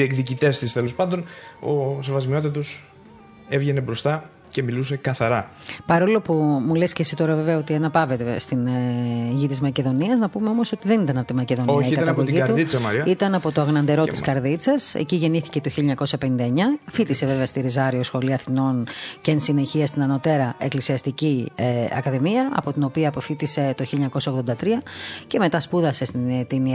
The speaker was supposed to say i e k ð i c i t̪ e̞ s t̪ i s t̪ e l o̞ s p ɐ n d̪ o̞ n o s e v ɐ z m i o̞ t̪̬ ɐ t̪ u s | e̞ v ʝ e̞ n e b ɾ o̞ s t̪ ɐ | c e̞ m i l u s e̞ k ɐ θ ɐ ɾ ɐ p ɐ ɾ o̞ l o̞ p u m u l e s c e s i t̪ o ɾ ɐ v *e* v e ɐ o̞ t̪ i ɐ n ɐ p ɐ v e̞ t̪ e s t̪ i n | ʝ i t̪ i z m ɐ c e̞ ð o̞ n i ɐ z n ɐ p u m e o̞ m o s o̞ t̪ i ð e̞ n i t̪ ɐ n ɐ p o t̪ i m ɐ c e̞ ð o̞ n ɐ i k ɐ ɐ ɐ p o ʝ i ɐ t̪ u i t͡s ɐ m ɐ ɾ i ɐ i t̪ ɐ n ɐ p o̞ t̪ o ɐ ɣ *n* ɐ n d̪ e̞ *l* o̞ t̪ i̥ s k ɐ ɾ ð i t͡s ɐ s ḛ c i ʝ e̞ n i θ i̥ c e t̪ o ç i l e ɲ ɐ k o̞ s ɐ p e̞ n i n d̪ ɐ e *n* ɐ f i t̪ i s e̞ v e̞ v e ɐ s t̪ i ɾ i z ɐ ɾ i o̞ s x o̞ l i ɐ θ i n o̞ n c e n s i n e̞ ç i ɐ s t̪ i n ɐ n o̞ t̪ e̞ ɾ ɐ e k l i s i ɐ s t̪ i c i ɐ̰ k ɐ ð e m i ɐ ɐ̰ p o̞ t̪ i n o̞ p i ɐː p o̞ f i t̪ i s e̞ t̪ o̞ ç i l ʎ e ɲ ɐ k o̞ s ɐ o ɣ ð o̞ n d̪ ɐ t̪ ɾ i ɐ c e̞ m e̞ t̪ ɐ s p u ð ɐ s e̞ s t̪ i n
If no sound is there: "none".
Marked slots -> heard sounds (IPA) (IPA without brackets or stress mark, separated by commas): e, n, ɾ, ɲ